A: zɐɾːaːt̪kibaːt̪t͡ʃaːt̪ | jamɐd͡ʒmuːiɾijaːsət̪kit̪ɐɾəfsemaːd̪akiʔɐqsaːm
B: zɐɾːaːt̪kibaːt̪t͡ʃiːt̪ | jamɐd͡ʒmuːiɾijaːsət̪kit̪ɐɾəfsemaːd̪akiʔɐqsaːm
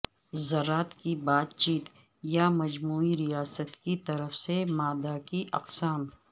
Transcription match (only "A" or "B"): B